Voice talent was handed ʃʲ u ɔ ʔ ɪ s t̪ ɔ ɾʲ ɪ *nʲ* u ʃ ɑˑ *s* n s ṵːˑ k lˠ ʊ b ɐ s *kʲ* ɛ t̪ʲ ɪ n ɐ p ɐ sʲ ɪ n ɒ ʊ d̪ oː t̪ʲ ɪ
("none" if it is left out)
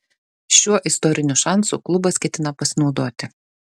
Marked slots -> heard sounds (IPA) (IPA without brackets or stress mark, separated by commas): nʲ, none, kʲ